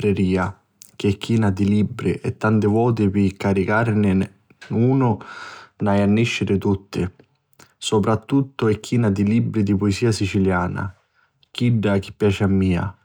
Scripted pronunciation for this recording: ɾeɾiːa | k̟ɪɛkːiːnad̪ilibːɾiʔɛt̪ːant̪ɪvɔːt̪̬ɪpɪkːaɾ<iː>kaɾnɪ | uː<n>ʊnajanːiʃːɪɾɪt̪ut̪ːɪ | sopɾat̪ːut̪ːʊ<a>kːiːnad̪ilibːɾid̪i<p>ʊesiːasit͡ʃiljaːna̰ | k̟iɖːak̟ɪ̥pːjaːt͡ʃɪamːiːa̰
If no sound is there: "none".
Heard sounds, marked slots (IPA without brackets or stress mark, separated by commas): i, n, ɛ, p